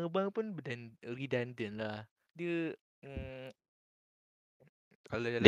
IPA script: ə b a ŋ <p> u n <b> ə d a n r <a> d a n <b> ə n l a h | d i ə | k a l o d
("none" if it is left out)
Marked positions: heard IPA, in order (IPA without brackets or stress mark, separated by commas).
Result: p, b, i, d